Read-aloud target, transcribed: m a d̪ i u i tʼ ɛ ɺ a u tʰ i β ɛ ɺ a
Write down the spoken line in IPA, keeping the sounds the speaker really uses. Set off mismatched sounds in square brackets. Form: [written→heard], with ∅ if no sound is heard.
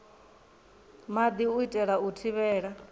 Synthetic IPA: m a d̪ i u i tʼ ɛ ɺ a u tʰ i β [ɛ→ɛː] ɺ a